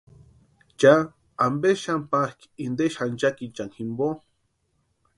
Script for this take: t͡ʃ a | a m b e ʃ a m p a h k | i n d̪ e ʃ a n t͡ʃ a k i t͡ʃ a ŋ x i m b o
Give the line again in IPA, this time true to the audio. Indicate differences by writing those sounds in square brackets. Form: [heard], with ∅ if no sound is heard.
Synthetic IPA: t͡ʃ a | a m b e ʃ a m p a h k | i n d̪ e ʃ a n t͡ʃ a k i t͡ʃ a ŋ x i m b o